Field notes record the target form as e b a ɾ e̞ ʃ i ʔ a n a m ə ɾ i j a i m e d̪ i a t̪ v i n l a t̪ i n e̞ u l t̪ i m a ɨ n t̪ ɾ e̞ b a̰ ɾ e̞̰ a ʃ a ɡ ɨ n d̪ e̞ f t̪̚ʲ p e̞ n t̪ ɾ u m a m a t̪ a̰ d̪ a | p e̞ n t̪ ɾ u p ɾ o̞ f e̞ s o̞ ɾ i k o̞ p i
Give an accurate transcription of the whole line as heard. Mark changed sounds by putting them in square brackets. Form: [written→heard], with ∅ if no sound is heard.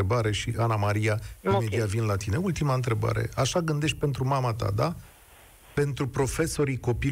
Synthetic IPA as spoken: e b a ɾ e̞ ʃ i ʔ a n a m [ə→a] ɾ i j a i m e d̪ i a t̪ v i n l a t̪ i n e̞ u l t̪ i m a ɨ n t̪ ɾ e̞ b a̰ ɾ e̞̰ a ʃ a ɡ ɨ n d̪ e̞ [f→ʃ] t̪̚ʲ p e̞ n t̪ ɾ u m a m a t̪ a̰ d̪ a | p e̞ n t̪ ɾ u p ɾ o̞ f e̞ s o̞ ɾ i k o̞ p i